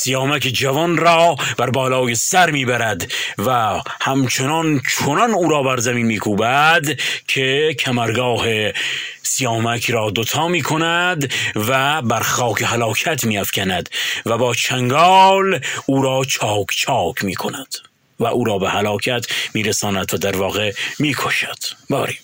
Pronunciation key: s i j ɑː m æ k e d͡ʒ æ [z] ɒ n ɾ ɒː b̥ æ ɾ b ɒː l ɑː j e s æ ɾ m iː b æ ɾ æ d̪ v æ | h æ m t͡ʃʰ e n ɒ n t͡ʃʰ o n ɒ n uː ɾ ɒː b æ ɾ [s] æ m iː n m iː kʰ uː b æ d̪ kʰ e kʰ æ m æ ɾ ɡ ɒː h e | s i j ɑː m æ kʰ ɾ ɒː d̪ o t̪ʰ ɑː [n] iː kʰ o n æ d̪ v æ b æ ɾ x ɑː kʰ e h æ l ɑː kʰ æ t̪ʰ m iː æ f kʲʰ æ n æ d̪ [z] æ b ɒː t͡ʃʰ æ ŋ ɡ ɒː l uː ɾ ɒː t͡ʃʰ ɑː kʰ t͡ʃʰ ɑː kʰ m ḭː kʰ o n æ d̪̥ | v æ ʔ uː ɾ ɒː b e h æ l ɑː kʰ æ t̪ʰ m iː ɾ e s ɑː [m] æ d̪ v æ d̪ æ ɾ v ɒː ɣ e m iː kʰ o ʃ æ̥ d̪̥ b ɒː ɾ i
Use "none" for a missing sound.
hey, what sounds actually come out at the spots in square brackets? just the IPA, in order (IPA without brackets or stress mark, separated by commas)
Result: v, z, m, v, n